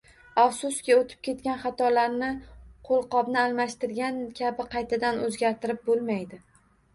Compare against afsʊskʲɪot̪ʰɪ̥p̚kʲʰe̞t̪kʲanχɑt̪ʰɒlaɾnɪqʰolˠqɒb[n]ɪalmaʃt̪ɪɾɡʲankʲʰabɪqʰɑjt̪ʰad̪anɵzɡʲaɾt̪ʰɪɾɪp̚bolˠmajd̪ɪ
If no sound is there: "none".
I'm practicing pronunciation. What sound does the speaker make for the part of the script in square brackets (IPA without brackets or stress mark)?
n